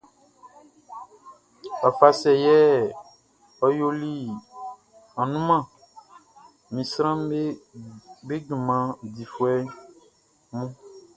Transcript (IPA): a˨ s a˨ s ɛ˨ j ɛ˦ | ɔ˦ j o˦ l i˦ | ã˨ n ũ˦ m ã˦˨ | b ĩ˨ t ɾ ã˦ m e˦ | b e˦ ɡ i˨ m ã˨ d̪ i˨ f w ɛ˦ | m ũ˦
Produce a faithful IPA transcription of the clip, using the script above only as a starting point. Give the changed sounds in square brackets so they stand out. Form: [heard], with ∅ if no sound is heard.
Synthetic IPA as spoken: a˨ [f] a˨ s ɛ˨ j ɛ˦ | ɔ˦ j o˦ l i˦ | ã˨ n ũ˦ m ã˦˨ | [m] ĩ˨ [s] ɾ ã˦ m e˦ | b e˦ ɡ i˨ m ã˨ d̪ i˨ f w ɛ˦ | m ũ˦